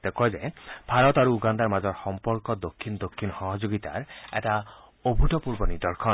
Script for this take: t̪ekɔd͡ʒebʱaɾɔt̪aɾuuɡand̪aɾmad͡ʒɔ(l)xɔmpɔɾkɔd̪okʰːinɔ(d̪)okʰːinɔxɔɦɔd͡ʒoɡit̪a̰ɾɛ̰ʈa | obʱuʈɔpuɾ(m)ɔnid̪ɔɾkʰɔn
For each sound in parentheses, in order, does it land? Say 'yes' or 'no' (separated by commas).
no, yes, no